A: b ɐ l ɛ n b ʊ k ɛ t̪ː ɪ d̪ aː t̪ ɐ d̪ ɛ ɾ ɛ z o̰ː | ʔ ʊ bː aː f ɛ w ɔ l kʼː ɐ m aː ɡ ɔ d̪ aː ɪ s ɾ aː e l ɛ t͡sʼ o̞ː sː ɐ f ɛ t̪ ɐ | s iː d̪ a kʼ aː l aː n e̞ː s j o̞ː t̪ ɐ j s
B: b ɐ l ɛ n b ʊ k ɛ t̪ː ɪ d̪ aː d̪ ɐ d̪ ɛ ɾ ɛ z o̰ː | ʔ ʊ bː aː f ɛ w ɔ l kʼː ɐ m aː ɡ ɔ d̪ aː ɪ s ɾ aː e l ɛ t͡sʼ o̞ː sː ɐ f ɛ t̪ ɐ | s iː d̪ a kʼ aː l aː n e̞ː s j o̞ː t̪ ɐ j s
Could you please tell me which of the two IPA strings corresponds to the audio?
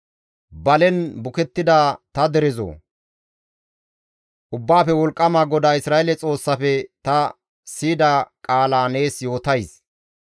A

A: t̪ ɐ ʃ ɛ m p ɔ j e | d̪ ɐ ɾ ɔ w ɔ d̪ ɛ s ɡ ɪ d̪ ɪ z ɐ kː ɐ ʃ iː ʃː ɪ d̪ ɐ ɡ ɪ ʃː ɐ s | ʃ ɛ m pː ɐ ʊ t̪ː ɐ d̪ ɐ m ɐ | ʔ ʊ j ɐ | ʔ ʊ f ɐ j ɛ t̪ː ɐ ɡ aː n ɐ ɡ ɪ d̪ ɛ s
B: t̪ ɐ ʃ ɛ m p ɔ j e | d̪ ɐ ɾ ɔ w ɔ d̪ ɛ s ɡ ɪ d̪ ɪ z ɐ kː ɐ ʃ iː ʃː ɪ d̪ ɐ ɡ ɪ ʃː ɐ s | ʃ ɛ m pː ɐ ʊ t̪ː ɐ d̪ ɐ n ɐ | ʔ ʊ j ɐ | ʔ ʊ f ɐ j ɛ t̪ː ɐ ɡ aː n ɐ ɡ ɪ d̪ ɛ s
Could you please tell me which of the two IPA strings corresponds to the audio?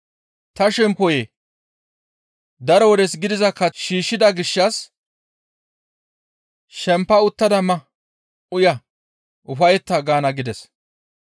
A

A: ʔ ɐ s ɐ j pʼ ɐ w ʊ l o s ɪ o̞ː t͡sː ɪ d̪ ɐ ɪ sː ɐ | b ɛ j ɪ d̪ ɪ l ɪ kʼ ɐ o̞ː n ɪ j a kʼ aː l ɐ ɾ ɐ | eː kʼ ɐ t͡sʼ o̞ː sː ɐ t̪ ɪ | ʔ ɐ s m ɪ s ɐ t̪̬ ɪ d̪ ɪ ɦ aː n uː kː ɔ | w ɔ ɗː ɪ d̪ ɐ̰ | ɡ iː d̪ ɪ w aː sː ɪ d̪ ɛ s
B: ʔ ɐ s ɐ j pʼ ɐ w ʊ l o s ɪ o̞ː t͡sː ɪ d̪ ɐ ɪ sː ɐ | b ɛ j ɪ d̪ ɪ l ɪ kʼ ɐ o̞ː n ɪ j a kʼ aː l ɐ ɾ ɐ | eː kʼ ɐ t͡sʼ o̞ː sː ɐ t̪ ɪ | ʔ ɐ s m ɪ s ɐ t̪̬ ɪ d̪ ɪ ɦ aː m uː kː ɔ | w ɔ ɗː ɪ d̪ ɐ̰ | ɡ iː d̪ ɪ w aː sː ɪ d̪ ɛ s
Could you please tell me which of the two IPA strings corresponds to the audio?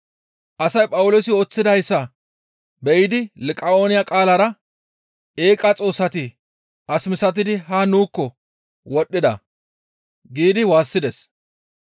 A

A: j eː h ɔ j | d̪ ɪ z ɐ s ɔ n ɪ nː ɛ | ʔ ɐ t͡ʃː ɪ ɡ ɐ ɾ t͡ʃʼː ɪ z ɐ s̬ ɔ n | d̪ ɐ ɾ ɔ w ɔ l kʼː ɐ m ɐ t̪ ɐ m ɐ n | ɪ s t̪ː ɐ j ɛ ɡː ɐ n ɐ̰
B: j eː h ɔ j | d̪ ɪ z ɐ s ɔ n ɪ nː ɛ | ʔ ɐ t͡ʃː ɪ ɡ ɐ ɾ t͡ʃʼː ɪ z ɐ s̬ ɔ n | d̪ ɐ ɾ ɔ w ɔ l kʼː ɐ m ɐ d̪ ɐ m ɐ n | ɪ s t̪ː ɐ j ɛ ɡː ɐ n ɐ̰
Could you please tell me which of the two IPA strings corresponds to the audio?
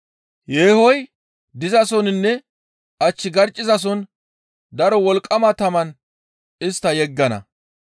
A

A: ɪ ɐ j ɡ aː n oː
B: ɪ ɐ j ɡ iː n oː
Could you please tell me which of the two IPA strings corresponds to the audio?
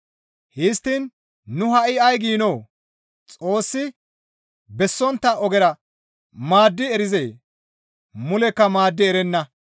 B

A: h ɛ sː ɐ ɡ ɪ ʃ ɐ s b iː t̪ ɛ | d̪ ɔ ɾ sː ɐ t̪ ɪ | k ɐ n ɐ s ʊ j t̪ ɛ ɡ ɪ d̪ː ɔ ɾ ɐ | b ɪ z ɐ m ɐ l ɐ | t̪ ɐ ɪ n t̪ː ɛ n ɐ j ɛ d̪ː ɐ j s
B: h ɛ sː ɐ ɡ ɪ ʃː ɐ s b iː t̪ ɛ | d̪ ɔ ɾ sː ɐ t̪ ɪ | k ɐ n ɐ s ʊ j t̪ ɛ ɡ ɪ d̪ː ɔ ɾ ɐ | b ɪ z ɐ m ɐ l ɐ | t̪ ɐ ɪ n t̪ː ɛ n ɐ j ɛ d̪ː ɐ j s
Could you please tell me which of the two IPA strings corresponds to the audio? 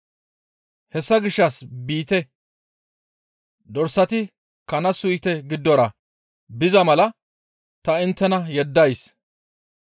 B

